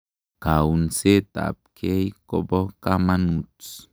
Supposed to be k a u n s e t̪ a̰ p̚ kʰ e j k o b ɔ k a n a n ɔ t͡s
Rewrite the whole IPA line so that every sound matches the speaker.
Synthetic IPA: k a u n s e t̪ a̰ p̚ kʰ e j k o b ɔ k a m a n u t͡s

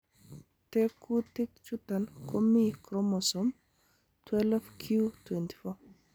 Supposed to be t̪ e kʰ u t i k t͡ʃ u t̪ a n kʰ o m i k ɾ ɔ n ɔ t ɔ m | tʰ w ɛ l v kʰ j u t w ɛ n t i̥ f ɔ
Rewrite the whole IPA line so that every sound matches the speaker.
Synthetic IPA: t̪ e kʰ u t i k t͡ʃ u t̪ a n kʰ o m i k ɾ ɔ m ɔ s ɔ m | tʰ w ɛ l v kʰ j u t w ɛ n t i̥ f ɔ

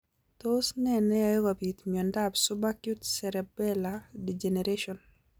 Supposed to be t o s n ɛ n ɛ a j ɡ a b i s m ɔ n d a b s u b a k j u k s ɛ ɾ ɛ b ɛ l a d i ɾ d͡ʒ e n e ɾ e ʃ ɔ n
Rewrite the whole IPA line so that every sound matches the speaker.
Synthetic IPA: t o s n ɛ n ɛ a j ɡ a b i t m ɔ n d a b s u b a k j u t s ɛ ɾ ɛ b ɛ l a d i d͡ʒ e n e ɾ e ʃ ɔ n

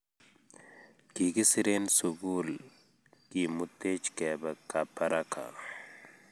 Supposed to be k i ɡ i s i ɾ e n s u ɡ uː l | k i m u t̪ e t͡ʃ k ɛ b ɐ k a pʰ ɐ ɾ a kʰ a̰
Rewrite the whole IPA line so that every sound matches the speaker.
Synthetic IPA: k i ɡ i s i ɾ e n s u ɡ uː l | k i m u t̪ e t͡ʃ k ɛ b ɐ k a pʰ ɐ ɾ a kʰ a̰

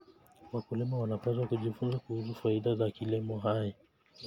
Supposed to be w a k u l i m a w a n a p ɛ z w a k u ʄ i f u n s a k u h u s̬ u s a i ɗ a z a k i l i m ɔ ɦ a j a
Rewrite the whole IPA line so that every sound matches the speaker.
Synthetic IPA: w a k u l i m a w a n a p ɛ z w a k u ʄ i f u n z a k u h u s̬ u f a i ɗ a z a k i l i m ɔ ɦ a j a

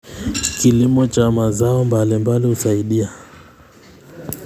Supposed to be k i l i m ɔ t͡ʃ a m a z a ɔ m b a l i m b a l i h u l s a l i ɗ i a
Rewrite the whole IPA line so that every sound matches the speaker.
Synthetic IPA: k i l i m ɔ t͡ʃ a m a z a ɔ m b a l i m b a l i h u s a i ɗ i a

